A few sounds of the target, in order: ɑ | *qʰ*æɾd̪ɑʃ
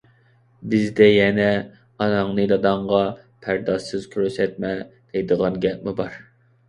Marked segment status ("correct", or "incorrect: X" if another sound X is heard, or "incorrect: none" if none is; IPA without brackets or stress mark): incorrect: pʰ